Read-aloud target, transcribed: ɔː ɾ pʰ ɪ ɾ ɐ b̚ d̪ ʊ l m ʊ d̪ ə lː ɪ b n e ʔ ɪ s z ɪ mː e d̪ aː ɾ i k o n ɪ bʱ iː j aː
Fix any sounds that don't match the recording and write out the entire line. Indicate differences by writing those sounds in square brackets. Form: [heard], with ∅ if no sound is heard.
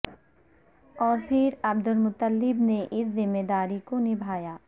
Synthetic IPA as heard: ɔː ɾ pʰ ɪ ɾ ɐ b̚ d̪ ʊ l m ʊ [t̪] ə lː ɪ b n e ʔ ɪ s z ɪ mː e d̪ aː ɾ i k o n ɪ bʱ [aː] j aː